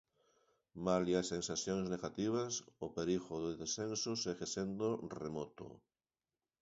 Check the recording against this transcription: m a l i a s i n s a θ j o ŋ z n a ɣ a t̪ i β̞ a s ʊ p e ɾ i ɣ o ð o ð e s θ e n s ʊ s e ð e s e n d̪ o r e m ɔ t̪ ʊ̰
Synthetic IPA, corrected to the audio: m a l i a s e n s a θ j o ŋ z n e ɣ a t̪ i β̞ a s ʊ p e ɾ i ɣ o ð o ð e s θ e n s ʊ s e ɣ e s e n d̪ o r e m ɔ t̪ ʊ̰